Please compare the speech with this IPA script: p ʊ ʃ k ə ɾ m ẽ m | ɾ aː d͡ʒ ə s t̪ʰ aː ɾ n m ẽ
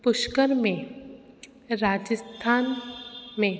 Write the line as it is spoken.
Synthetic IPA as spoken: p ʊ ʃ k ə ɾ m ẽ | ɾ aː d͡ʒ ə s t̪ʰ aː n m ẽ